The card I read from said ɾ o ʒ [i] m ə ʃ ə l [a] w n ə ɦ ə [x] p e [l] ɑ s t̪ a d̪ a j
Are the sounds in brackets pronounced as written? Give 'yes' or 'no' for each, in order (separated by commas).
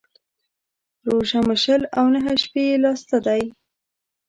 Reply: no, yes, no, yes